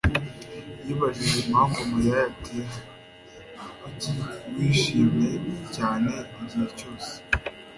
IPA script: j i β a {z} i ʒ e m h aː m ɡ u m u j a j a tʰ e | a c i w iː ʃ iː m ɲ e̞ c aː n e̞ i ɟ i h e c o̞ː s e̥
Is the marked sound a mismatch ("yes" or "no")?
yes